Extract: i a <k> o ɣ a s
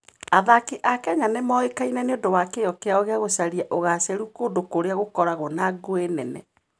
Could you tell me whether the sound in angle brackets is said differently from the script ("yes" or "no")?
yes